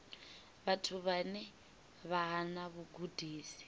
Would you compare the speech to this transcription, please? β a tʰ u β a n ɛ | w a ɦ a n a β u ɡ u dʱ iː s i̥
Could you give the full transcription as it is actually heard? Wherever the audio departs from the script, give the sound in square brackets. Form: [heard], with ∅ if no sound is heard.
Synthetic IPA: β a tʰ u β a n ɛ | [β] a ɦ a n a β u ɡ u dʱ iː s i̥